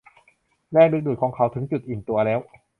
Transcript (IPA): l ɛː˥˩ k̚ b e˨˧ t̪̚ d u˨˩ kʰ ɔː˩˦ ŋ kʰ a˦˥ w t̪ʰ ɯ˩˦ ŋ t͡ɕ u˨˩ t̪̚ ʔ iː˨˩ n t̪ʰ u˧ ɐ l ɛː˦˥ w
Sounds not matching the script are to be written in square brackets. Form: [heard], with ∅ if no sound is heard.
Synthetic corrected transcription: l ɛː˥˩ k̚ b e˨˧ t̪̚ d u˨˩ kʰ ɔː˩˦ ŋ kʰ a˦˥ w t̪ʰ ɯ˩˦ ŋ t͡ɕ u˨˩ t̪̚ ʔ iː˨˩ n [t̪] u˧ ɐ l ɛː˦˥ w